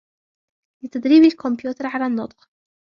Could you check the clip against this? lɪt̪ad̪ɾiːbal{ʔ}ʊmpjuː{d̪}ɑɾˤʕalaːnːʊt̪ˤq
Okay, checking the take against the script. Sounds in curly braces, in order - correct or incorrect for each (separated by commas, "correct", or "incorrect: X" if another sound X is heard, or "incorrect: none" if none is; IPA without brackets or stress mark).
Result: incorrect: k, incorrect: t̪